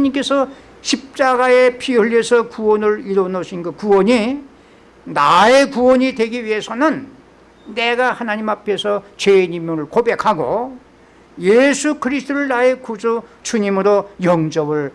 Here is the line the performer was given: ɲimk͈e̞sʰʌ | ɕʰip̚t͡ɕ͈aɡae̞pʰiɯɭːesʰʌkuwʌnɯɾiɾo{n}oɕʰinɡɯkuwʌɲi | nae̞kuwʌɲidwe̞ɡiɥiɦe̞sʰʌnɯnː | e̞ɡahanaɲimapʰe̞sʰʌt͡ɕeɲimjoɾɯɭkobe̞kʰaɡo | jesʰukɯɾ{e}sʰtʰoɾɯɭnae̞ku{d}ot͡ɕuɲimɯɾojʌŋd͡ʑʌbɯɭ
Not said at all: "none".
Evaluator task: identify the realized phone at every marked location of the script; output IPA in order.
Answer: n, i, d͡ʑ

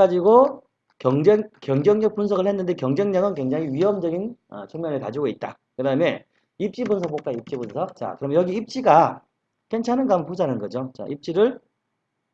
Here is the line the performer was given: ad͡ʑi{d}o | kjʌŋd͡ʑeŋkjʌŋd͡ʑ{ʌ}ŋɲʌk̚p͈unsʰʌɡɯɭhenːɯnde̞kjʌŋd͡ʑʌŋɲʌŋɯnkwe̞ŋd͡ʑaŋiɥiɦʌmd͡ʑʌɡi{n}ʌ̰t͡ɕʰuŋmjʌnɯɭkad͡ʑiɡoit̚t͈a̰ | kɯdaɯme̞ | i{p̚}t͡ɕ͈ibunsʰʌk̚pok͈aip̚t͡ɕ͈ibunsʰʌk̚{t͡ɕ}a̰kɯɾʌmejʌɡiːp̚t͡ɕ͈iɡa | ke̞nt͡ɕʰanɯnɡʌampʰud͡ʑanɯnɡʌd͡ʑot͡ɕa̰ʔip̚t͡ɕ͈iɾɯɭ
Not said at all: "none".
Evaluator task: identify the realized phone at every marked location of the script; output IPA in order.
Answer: ɡ, ʌ, n, p̚, t͡ɕ

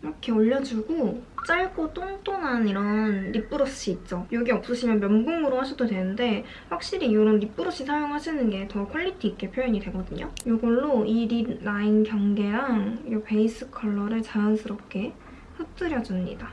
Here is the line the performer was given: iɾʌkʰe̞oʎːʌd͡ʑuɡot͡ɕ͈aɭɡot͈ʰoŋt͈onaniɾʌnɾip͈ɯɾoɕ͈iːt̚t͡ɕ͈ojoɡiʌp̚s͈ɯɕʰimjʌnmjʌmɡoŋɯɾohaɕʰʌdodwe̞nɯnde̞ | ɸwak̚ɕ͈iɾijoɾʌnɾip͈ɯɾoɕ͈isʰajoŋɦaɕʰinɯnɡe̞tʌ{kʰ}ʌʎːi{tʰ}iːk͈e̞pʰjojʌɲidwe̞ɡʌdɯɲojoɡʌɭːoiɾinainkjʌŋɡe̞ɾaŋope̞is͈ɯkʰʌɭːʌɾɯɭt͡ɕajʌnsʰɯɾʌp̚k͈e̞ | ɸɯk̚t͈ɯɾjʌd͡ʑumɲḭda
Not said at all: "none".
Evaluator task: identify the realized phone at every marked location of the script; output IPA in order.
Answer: kʰ, tʰ

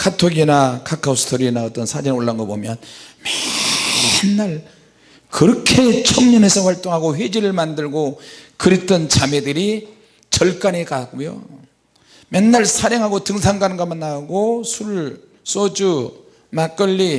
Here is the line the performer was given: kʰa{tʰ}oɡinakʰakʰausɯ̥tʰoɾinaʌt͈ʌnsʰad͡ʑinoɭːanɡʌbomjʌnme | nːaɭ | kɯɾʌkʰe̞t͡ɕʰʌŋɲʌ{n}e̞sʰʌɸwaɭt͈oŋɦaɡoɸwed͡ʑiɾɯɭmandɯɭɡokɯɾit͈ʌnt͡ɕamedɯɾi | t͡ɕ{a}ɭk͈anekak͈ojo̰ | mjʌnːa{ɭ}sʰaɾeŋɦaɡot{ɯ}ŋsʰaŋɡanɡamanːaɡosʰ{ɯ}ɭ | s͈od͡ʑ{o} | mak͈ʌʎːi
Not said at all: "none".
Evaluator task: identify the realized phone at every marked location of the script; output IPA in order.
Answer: tʰ, n, ʌ, ɭ, ɯ, u, u

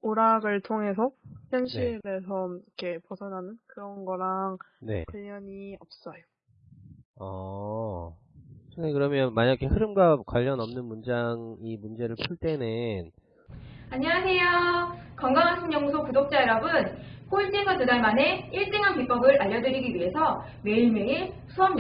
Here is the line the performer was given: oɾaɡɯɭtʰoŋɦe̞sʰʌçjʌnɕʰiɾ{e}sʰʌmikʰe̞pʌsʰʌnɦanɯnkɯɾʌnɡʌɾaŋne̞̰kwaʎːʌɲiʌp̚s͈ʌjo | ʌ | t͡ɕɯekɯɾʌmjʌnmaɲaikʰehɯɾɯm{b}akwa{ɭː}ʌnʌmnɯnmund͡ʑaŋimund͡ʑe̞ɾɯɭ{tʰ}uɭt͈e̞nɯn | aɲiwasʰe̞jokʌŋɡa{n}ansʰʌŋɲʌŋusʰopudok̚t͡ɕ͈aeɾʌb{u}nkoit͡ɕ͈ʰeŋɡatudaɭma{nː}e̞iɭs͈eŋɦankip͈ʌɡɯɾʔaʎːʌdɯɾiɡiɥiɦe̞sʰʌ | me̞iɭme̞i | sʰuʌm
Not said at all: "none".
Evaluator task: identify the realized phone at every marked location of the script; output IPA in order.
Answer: e, ɡ, ʎː, pʰ, ŋ, ɯ, n

